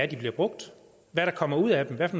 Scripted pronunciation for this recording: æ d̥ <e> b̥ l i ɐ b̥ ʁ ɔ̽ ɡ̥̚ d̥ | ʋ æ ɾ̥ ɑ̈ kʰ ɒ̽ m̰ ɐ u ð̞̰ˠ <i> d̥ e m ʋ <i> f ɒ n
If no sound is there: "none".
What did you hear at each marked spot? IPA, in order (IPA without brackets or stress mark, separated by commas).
i, æ, æ